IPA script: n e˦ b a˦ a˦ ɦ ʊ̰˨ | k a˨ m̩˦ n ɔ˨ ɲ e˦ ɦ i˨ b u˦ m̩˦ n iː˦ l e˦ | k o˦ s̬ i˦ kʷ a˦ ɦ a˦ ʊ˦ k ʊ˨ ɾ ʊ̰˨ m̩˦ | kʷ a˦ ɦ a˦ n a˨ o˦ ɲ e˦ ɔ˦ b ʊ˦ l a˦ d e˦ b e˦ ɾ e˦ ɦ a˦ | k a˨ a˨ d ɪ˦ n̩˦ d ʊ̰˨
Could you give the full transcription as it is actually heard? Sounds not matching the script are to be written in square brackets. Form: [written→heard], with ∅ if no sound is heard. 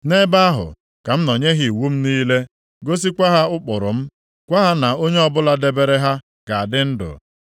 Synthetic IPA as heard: n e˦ b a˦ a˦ ɦ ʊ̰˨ | k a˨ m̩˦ n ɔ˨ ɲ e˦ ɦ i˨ [b→w] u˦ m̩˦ n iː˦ l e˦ | [k→ɡ] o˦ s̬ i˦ kʷ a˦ ɦ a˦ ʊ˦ [k→k͡p] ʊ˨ ɾ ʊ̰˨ m̩˦ | kʷ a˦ ɦ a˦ n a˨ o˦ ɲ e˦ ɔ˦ b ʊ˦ l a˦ d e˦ b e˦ ɾ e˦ ɦ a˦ | k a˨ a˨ d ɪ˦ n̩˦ d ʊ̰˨

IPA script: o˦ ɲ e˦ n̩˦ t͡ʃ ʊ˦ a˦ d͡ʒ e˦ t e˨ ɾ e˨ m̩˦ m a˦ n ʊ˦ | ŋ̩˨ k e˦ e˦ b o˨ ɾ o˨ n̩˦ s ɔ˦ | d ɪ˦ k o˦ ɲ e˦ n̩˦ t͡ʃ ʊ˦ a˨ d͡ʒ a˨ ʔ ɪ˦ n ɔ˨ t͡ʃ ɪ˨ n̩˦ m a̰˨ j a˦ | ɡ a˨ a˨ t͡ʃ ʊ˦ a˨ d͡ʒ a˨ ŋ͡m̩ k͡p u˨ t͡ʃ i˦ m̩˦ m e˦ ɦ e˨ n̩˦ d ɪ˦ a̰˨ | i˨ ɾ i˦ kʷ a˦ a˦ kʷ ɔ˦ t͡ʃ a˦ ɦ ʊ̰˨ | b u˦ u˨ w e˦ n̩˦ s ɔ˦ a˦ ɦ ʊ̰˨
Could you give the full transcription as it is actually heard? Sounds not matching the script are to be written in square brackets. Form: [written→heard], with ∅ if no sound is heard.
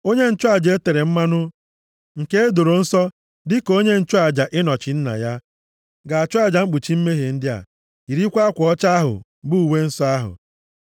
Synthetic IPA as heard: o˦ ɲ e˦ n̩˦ t͡ʃ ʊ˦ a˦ d͡ʒ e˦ t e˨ ɾ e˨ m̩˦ m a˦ n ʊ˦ | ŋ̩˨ k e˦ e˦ [b→d] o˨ ɾ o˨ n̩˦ s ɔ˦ | d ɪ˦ k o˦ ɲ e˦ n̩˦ t͡ʃ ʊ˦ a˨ d͡ʒ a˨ ʔ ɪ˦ n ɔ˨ t͡ʃ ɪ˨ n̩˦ [m→n] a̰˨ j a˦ | ɡ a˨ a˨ t͡ʃ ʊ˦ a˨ d͡ʒ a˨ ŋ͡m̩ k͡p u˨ t͡ʃ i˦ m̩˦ m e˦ ɦ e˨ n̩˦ d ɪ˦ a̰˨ | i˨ ɾ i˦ kʷ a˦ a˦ kʷ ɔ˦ t͡ʃ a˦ ɦ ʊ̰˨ | b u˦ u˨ w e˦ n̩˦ s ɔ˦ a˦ ɦ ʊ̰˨

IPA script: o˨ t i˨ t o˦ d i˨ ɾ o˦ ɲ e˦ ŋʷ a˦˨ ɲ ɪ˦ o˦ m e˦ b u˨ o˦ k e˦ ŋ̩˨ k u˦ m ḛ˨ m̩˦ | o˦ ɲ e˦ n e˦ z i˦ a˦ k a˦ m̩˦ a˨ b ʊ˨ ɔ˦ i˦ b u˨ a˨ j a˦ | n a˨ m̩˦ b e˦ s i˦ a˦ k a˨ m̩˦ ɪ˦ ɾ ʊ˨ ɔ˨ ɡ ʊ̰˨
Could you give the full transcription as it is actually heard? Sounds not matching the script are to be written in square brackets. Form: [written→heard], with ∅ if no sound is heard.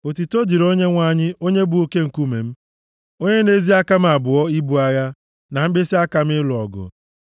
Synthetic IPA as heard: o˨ t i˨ t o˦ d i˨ ɾ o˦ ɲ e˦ ŋʷ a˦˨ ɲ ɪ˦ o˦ [m→ɲ] e˦ b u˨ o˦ k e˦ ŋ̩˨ k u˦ m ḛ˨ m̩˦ | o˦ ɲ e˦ n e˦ z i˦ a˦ k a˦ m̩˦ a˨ b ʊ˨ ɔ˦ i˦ b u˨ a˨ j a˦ | n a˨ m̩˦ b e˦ s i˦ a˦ k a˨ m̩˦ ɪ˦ [ɾ→l] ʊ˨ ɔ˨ ɡ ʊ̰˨

